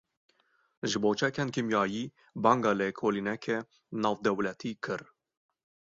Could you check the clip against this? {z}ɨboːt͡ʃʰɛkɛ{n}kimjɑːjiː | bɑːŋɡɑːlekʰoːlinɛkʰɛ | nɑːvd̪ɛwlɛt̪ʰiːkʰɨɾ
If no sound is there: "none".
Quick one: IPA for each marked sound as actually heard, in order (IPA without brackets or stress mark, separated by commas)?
ʒ, n